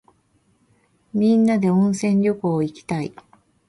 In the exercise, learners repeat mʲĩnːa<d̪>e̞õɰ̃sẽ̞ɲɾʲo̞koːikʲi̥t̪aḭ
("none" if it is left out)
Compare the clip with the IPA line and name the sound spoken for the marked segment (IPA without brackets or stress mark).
d̪